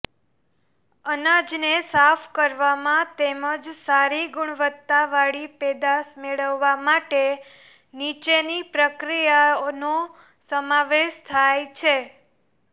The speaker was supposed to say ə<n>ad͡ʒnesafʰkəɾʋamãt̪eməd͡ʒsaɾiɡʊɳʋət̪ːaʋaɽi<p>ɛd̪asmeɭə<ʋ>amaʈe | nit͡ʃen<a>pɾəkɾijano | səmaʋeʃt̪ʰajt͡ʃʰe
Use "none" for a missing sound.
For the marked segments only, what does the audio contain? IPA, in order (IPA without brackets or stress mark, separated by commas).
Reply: n, p, ʋː, i